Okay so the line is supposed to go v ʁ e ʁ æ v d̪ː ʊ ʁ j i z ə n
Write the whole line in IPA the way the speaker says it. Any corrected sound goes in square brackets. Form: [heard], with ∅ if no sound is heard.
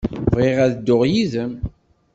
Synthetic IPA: v ʁ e ʁ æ [ð] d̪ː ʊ ʁ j i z ə [m]